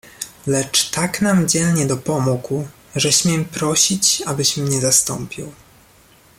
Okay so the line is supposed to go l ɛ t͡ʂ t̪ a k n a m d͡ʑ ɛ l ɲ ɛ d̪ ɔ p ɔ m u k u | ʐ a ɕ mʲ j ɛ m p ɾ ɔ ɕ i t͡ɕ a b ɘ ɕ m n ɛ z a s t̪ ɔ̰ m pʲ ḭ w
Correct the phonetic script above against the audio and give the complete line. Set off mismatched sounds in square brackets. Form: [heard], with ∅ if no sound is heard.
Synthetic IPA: l ɛ t͡ʂ t̪ a k n a m d͡ʑ ɛ l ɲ ɛ d̪ ɔ p ɔ m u k u | ʐ [ɛ] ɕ mʲ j ɛ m p ɾ ɔ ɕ i t͡ɕ a b ɘ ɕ m [ɲ] ɛ z a s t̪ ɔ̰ m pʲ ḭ w